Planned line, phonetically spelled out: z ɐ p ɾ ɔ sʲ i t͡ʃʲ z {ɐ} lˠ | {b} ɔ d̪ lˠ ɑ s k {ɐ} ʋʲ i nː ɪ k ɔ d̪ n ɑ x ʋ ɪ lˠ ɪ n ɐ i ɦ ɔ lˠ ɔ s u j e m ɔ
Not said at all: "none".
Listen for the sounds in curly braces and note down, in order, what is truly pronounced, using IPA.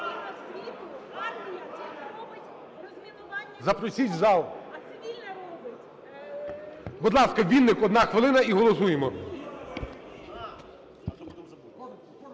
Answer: ɑ, b, ɐ

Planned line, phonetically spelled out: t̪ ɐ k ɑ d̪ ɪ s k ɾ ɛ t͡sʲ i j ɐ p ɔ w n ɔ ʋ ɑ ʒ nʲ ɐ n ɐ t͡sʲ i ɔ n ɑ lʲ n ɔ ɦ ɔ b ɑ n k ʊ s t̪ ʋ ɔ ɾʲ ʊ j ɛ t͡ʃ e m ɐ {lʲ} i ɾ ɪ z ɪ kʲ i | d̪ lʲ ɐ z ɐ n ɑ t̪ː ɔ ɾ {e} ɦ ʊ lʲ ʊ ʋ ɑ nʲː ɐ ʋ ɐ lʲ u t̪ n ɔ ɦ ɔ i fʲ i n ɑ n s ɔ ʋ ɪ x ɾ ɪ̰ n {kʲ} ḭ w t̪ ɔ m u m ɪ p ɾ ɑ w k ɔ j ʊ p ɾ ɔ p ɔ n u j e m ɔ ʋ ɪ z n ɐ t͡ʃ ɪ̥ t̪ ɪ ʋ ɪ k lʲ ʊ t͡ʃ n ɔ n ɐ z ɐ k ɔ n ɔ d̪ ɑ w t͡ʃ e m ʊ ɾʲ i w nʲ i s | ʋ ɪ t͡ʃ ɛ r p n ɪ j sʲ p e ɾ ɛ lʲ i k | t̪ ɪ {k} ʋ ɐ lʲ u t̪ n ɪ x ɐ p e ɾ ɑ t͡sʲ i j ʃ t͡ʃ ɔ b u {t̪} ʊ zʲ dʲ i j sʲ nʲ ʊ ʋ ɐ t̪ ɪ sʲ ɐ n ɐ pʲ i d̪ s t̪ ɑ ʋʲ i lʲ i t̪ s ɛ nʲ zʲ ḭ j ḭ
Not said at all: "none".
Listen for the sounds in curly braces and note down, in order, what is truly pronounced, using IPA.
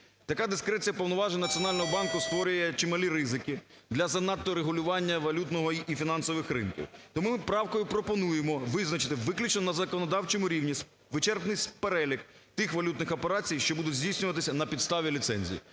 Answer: lʲ, e, kʲ, x, d̪

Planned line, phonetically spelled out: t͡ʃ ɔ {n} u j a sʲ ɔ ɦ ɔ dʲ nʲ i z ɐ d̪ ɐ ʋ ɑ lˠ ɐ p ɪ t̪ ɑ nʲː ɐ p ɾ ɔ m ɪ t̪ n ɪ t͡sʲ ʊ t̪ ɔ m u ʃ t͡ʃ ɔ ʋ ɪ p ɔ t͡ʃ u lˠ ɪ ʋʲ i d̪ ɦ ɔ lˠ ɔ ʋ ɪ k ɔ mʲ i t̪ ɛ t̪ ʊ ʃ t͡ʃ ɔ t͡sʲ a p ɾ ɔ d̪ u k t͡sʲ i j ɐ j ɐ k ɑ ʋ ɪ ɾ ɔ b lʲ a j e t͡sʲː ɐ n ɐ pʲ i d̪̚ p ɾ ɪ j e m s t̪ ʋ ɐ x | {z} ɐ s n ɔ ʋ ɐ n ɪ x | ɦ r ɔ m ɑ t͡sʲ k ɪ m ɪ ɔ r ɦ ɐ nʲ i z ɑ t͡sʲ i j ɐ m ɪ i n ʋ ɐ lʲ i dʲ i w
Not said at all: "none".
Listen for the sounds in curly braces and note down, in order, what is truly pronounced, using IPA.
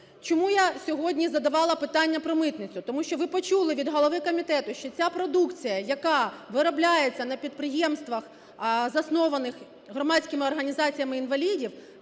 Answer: m, z

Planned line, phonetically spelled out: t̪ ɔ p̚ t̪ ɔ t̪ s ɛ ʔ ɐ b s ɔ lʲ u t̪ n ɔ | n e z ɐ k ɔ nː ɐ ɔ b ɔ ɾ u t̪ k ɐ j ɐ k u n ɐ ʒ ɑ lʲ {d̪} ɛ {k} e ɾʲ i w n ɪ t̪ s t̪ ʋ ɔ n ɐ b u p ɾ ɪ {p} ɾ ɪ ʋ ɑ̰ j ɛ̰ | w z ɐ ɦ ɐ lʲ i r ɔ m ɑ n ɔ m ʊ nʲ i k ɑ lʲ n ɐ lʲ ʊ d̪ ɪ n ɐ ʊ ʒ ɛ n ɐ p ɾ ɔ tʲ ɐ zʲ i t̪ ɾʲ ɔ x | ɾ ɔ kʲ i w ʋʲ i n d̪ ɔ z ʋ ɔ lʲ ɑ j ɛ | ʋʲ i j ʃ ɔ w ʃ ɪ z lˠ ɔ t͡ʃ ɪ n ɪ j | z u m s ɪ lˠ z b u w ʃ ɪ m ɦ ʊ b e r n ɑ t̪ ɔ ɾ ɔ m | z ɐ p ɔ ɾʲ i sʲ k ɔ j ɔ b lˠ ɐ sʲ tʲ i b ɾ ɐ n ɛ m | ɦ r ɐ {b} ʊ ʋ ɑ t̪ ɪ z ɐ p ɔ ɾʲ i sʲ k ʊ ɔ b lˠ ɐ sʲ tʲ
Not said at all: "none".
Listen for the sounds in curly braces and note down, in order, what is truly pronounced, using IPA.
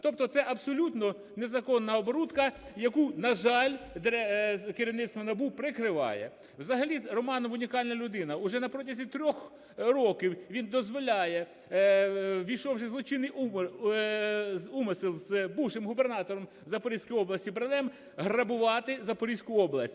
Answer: d̪, k, k, b

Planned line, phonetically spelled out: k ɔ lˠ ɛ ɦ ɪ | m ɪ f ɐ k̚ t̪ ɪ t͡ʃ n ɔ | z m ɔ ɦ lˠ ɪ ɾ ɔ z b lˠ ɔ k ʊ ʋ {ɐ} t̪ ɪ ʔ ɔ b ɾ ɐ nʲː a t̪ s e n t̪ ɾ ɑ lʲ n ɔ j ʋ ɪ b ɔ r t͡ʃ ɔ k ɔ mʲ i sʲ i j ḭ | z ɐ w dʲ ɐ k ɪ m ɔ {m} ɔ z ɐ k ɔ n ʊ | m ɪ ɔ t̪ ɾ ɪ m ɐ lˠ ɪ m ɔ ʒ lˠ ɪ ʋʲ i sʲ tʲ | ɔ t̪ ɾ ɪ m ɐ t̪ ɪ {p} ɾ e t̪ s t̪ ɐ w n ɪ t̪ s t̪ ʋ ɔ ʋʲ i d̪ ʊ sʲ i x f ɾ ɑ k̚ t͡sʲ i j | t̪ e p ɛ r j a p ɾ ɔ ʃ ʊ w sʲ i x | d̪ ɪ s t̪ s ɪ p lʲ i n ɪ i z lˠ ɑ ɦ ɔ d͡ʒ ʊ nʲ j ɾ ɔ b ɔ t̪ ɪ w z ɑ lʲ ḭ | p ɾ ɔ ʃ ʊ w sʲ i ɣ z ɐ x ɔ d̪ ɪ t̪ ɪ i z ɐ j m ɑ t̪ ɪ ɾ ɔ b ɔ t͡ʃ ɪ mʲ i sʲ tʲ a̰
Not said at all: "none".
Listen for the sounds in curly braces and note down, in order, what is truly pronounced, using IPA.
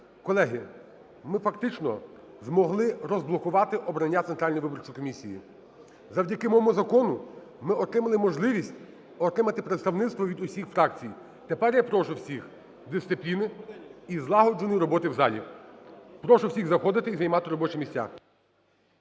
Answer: ɑ, m, p

